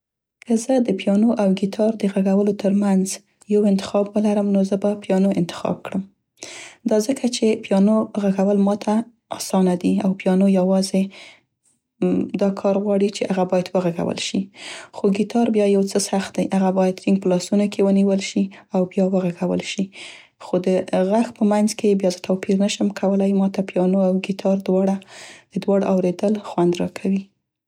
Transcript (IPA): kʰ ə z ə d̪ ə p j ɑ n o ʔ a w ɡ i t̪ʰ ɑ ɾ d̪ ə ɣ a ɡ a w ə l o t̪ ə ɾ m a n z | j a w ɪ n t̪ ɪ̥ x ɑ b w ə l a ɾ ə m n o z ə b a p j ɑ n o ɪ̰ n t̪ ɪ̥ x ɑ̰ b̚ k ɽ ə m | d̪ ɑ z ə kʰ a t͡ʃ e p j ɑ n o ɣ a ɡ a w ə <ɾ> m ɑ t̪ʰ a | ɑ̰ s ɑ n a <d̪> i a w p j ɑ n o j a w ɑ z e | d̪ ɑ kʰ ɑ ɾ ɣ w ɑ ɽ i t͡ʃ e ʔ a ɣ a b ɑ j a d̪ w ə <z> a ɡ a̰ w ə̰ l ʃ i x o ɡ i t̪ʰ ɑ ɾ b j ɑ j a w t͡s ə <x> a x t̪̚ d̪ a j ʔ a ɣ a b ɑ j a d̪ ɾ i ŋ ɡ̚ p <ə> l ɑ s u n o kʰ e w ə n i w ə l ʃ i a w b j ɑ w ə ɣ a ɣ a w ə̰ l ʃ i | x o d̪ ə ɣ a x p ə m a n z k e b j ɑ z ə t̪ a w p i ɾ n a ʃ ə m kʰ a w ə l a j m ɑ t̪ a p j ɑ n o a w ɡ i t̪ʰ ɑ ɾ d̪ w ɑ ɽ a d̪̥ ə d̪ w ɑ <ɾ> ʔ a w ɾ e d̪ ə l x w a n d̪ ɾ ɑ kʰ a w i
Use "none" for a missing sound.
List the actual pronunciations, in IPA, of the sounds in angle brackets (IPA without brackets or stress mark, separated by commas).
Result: l, d̪, ɣ, s, ə, ɽ